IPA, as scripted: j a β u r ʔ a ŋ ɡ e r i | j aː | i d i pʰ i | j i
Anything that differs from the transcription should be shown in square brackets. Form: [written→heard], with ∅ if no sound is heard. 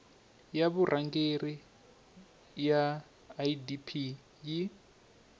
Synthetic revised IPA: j a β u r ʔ a ŋ ɡ e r i | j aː | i d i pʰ i | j i